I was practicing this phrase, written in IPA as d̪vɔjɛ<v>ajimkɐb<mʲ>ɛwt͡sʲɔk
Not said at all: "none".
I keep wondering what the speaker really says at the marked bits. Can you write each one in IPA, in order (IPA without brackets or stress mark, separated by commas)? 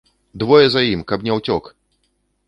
z, nʲ